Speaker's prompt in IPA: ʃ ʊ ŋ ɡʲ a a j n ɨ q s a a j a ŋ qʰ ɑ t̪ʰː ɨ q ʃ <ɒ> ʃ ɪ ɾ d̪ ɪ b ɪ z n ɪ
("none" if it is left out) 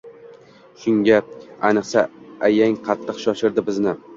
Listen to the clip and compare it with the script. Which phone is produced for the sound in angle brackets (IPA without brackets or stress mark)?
ɒ